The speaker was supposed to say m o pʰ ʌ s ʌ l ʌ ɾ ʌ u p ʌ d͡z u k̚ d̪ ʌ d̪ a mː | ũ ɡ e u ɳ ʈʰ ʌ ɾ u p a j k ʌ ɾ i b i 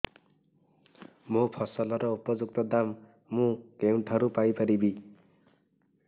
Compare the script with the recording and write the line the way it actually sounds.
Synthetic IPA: m o pʰ ʌ s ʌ l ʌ ɾ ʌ u p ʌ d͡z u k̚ t̪ ʌ d̪ a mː | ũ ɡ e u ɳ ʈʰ ʌ ɾ u p a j p ʌ ɾ i b i